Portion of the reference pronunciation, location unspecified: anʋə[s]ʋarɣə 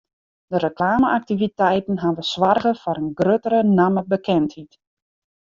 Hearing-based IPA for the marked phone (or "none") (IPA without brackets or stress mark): s